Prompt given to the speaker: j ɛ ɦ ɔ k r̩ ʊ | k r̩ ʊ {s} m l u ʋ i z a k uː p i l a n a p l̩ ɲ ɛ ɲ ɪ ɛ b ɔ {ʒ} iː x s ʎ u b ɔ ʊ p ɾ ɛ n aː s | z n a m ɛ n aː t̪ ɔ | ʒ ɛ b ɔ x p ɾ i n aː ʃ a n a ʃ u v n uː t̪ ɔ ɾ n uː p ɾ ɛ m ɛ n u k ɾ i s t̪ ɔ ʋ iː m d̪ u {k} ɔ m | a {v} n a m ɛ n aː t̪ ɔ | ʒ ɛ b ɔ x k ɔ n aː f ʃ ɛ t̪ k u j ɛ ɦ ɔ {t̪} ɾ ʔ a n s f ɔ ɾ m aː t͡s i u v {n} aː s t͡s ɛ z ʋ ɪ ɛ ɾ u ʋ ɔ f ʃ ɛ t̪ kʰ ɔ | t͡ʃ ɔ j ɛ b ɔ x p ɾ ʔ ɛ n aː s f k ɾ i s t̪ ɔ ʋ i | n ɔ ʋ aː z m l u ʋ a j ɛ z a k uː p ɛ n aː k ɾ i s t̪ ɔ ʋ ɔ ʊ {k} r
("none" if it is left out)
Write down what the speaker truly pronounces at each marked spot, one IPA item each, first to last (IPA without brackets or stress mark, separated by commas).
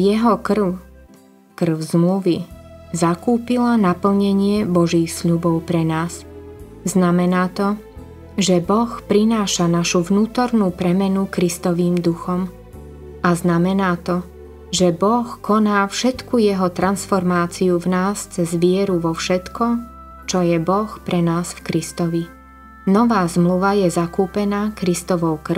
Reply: z, ʒ, x, z, t̪, n, k